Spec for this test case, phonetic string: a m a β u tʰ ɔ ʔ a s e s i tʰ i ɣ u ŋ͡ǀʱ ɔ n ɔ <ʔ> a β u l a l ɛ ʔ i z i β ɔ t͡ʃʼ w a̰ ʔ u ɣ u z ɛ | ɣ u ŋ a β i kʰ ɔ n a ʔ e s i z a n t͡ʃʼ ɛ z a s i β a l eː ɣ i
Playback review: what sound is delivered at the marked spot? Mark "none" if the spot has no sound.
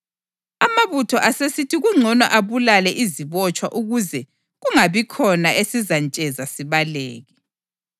ʔ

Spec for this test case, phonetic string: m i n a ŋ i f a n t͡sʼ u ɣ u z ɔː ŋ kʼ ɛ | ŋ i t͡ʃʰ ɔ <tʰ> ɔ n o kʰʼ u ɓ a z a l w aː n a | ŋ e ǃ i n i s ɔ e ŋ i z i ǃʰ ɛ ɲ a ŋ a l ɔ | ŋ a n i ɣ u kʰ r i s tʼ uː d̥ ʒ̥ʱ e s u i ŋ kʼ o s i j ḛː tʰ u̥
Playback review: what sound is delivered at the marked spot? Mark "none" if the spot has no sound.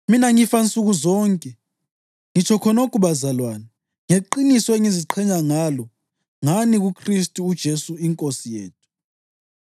kʰ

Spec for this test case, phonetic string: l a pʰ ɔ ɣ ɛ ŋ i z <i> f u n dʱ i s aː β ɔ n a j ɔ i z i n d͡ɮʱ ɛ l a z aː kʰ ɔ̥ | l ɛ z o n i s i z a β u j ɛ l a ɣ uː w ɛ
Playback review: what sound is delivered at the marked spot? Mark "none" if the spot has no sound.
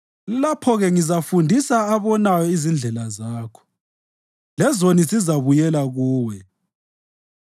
a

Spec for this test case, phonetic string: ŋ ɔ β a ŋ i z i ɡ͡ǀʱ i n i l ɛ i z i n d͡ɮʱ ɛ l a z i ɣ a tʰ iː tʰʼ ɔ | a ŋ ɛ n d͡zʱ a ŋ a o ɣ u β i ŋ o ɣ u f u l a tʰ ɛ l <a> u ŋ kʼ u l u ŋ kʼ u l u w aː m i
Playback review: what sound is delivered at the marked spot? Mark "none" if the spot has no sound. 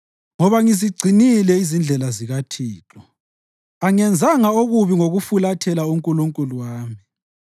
a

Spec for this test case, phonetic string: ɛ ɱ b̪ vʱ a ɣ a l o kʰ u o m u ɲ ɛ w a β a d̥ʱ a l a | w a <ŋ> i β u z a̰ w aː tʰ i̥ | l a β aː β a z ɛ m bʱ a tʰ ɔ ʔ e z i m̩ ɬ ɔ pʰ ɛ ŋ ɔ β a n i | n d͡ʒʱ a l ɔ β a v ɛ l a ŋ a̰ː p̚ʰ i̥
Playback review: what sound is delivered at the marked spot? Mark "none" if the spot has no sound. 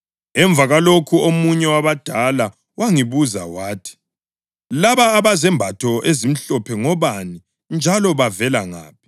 ŋ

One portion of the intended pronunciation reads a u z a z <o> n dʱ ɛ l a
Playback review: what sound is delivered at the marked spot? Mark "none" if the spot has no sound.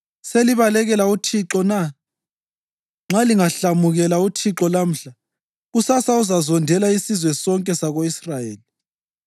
ɔ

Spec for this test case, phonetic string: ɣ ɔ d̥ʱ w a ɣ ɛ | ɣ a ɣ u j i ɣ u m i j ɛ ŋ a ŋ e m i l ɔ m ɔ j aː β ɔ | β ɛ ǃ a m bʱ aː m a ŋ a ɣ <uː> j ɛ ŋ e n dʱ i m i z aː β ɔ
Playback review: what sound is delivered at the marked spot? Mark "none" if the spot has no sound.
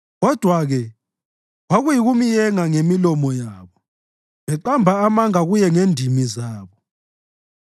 u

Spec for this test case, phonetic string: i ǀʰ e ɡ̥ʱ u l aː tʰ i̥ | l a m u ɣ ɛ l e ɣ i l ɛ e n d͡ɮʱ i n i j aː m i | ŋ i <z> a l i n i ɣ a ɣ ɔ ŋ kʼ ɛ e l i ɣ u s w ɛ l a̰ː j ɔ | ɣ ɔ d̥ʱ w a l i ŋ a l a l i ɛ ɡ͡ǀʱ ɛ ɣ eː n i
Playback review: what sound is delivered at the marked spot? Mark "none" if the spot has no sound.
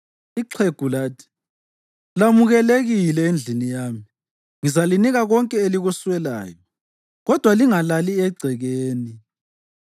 z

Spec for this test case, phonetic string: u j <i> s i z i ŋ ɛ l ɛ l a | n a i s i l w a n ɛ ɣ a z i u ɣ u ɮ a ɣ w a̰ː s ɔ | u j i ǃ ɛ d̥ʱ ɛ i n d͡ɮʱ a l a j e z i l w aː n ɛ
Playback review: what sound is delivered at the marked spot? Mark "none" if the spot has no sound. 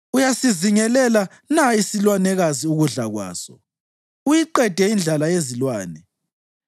a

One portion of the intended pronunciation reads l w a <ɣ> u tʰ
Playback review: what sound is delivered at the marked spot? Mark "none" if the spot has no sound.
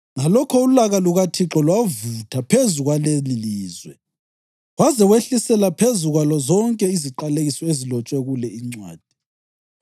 v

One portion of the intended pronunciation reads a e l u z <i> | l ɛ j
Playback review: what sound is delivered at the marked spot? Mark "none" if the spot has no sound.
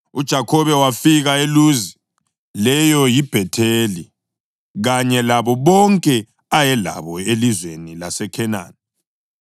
i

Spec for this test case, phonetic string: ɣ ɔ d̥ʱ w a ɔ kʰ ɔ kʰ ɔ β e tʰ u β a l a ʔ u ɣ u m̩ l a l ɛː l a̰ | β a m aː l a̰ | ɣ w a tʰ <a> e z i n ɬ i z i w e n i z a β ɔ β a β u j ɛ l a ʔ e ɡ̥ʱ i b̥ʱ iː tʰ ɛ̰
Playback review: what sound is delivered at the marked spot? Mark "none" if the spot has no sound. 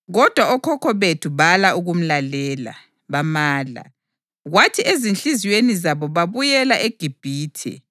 i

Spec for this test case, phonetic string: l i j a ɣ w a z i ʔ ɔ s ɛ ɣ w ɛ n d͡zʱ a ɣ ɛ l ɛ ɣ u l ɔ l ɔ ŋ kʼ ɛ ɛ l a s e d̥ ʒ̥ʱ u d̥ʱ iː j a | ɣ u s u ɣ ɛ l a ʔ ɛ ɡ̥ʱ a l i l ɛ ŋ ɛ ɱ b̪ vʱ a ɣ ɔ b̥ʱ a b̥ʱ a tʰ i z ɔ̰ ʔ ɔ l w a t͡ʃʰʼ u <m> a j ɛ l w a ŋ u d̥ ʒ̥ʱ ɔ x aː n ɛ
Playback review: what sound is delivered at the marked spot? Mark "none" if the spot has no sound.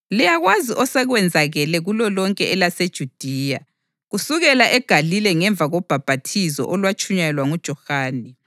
ɲ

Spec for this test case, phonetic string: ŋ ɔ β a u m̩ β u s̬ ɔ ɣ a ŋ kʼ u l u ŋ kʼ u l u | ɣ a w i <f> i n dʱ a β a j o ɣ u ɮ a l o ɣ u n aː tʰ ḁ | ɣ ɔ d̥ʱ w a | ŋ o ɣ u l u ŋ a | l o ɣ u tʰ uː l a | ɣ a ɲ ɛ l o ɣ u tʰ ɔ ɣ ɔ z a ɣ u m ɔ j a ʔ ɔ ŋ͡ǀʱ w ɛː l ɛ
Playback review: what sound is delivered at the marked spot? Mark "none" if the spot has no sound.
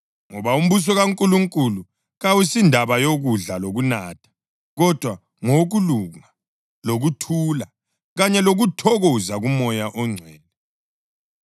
s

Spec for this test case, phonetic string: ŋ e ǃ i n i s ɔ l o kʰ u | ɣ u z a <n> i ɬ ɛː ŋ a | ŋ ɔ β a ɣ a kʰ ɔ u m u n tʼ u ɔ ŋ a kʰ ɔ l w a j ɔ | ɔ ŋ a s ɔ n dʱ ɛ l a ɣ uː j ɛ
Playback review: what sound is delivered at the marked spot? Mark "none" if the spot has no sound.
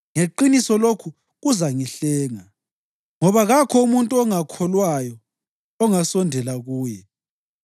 ŋ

